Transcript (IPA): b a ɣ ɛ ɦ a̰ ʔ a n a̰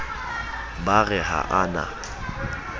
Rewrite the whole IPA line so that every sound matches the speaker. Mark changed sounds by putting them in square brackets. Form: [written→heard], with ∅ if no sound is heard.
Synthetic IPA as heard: b a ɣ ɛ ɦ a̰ ʔ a n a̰